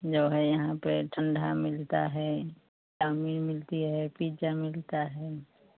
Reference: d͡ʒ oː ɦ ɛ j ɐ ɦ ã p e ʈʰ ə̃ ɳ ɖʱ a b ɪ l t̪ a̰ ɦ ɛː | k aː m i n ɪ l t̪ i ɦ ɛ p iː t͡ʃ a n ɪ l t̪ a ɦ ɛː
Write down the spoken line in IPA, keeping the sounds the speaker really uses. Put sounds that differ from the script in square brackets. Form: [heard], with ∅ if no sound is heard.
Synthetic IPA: d͡ʒ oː ɦ ɛ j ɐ ɦ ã p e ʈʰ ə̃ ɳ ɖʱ a [m] ɪ l t̪ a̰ ɦ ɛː | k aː m i [m] ɪ l t̪ i ɦ ɛ p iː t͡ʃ a [m] ɪ l t̪ a ɦ ɛː

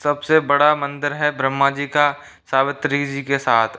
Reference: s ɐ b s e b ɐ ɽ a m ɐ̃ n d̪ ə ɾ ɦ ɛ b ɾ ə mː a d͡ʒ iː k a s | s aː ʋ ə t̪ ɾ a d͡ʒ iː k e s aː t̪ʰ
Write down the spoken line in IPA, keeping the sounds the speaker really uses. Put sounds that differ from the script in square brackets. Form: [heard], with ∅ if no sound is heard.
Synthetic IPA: s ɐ b s e b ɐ ɽ a m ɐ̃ n d̪ ə ɾ ɦ ɛ b ɾ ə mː a d͡ʒ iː k a [∅] | s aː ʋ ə t̪ ɾ [i] d͡ʒ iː k e s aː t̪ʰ

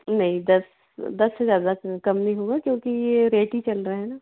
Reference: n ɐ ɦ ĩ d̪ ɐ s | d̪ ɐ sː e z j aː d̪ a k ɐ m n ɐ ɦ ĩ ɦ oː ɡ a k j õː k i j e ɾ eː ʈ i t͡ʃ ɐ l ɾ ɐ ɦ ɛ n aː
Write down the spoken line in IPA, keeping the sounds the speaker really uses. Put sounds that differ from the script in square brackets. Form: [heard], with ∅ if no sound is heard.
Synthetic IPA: n ɐ ɦ ĩ d̪ ɐ s | d̪ ɐ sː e z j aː d̪ a k ɐ m n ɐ ɦ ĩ ɦ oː ɡ a k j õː k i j e ɾ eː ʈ i t͡ʃ ɐ l ɾ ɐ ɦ ɛ n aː

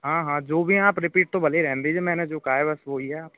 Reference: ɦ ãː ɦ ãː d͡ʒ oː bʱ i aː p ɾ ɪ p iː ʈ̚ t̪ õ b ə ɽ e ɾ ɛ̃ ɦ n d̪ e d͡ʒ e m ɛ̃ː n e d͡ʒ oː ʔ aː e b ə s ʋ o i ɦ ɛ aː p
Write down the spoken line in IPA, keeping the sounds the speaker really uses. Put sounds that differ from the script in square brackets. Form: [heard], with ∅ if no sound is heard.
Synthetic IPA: ɦ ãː ɦ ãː d͡ʒ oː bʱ i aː p ɾ ɪ p iː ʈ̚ t̪ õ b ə [l] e ɾ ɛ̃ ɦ n d̪ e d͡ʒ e m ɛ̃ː n e d͡ʒ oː [k] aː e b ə s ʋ o i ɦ ɛ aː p

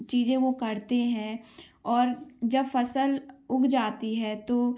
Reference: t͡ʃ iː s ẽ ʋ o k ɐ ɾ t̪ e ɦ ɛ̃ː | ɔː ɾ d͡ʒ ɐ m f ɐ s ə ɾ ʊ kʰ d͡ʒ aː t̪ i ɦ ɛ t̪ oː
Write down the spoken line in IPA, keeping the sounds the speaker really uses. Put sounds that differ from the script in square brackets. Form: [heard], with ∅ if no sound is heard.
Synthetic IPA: t͡ʃ iː [z] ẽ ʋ o k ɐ ɾ t̪ e ɦ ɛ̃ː | ɔː ɾ d͡ʒ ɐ [b] f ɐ s ə [l] ʊ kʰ d͡ʒ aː t̪ i ɦ ɛ t̪ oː

